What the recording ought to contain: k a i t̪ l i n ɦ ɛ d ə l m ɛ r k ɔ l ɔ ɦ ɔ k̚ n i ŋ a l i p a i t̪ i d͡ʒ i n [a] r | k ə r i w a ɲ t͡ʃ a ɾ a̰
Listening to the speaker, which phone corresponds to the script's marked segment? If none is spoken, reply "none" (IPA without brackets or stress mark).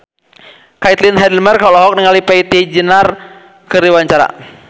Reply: a